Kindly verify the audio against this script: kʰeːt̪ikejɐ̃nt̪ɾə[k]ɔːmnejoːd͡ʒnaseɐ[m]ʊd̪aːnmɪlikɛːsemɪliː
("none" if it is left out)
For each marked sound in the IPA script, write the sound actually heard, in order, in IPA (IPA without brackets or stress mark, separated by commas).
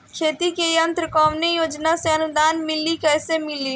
k, n